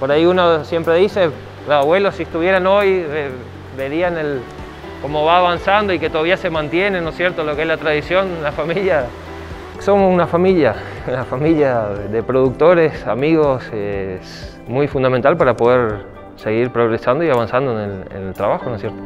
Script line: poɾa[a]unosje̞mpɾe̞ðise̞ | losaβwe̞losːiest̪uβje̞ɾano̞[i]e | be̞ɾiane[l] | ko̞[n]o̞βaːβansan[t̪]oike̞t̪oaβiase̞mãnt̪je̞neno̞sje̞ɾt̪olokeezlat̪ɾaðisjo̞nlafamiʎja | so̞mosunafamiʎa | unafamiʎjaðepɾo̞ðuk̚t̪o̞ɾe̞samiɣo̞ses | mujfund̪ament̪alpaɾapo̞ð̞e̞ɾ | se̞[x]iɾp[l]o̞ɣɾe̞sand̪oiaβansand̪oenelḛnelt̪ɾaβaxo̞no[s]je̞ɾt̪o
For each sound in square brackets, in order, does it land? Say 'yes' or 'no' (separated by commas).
no, no, yes, no, no, no, no, yes